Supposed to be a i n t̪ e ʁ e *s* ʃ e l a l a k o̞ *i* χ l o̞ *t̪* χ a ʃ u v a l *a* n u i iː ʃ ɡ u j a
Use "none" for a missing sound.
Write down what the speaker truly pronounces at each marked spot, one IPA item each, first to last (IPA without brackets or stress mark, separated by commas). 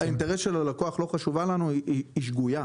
s, a, none, a